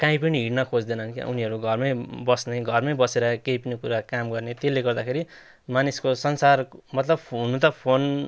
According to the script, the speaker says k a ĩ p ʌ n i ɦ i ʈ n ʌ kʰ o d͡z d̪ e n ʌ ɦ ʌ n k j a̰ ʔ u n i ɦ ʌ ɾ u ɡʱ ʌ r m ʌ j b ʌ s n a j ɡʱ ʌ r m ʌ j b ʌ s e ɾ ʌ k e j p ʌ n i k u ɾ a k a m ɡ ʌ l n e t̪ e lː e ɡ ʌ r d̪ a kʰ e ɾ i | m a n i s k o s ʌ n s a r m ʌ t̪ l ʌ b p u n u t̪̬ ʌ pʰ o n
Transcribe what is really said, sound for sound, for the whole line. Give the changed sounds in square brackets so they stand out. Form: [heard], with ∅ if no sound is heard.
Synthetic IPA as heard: k a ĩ p ʌ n i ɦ i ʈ n ʌ kʰ o d͡z d̪ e n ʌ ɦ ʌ n k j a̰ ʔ u n i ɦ ʌ ɾ u ɡʱ ʌ r m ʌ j b ʌ s n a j ɡʱ ʌ r m ʌ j b ʌ s e ɾ ʌ k e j p ʌ n i k u ɾ a k a m ɡ ʌ [r] n e t̪ e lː e ɡ ʌ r d̪ a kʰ e ɾ i | m a n i s k o s ʌ n s a r m ʌ t̪ l ʌ b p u n u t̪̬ ʌ pʰ o n